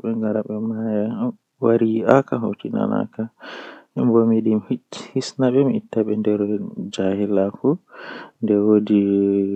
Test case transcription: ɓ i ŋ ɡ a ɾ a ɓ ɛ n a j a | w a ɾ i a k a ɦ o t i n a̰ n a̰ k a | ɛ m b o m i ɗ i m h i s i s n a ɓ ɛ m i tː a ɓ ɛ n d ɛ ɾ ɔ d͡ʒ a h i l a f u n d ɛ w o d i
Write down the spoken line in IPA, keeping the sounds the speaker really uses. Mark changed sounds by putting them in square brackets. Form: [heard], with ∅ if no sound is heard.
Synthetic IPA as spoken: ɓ [ɛ] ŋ ɡ a ɾ a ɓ ɛ [m] a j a | w a ɾ i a k a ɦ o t i n a̰ n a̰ k a | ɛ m b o m i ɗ i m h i [h] i s n a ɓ ɛ m i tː a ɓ ɛ n d ɛ ɾ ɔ d͡ʒ a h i l a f u n d ɛ w o d i